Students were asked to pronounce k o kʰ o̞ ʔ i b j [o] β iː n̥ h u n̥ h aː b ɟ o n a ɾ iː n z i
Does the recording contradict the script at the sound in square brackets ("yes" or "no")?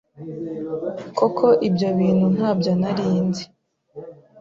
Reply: no